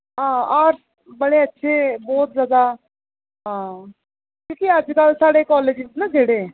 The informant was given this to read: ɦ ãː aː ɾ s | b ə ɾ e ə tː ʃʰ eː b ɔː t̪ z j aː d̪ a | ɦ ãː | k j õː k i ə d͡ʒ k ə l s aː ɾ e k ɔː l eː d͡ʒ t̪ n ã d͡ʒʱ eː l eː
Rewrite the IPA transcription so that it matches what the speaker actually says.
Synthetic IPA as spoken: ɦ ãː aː ɾ s | b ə ɽ e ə tː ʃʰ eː b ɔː t̪ z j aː d̪ a | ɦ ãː | k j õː k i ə d͡ʒ k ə l s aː ɽ e k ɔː l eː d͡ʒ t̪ n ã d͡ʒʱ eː ɽ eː

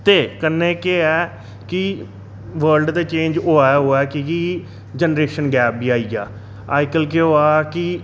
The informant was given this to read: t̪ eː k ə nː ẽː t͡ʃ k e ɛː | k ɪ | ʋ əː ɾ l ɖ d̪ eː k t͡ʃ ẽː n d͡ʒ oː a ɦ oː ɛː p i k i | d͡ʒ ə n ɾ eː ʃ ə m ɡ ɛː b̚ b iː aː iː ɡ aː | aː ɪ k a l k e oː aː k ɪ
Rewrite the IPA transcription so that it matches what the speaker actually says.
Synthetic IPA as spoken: t̪ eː k ə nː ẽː k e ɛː | k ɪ | ʋ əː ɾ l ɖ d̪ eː t͡ʃ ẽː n d͡ʒ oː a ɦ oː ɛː k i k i | d͡ʒ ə n ɾ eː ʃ ə n ɡ ɛː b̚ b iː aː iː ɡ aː | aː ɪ k ə l k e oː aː k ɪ

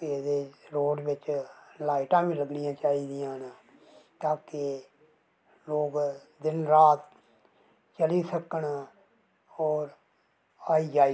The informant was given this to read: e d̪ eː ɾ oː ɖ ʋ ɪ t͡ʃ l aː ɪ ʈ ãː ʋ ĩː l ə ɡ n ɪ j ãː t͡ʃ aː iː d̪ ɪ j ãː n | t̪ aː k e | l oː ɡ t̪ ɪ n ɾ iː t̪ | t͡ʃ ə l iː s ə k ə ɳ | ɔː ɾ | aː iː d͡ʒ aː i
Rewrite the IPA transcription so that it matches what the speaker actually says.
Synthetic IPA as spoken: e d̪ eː ɾ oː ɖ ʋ ɪ t͡ʃ l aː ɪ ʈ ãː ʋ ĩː l ə ɡ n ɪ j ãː t͡ʃ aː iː d̪ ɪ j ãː n | t̪ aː k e | l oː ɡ d̪ ɪ n ɾ aː t̪ | t͡ʃ ə l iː s ə k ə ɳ | ɔː ɾ | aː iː d͡ʒ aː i

